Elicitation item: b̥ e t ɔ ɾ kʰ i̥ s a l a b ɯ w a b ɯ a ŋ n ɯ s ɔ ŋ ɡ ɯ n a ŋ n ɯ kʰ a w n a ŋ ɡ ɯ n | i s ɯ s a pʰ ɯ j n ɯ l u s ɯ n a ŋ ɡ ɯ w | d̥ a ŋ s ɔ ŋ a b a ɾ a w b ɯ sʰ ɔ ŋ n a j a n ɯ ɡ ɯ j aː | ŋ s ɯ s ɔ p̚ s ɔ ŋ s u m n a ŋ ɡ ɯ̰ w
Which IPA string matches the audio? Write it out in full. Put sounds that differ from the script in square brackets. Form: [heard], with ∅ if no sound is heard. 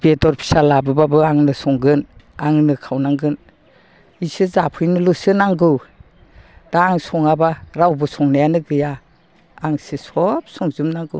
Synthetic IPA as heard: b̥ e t ɔ ɾ [pʰ] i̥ s a l a b ɯ [b] a b ɯ a ŋ n ɯ s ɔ ŋ ɡ ɯ n a ŋ n ɯ kʰ a w n a ŋ ɡ ɯ n | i s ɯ [z] a pʰ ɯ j n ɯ l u s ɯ n a ŋ ɡ ɯ w | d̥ a ŋ s ɔ ŋ a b a ɾ a w b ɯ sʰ ɔ ŋ n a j a n ɯ ɡ ɯ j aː | ŋ s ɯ s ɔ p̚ s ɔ ŋ [z] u m n a ŋ ɡ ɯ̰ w